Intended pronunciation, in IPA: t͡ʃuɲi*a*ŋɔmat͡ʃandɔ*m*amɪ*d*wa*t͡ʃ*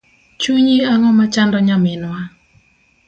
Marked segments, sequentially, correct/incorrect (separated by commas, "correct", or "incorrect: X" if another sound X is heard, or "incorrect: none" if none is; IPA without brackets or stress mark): correct, incorrect: ɲ, incorrect: n, incorrect: none